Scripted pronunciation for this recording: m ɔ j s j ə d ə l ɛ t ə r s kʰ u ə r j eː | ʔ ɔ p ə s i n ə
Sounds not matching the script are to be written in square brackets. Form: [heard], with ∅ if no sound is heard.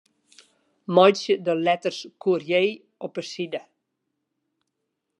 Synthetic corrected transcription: m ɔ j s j ə d ə l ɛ t ə r s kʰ u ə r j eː | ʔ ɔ p ə s i [d] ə